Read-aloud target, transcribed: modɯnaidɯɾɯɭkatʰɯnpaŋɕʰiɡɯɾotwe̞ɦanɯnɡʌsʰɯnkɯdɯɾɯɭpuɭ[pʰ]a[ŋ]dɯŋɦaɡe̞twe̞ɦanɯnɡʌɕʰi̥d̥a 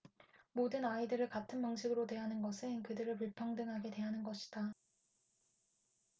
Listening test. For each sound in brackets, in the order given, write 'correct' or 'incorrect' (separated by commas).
correct, correct